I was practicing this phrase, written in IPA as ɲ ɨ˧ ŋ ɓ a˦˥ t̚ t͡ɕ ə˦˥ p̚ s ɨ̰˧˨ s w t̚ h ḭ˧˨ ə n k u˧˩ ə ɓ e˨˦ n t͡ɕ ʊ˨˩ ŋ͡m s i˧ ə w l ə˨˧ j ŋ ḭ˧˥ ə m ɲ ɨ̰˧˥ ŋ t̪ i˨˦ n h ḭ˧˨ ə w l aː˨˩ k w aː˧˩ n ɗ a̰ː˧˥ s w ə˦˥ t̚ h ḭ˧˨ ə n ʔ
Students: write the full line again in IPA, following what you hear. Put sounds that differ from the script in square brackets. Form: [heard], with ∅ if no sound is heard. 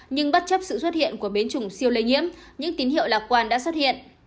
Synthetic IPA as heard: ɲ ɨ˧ ŋ ɓ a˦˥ t̚ t͡ɕ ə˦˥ p̚ s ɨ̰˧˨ s w t̚ h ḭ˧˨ ə n k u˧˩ ə ɓ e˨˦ n t͡ɕ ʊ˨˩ ŋ͡m s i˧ ə w l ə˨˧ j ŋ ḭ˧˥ ə m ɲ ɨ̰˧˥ ŋ t̪ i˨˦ n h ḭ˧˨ ə w l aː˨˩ k w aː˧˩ n ɗ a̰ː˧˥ s w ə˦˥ t̚ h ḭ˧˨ ə n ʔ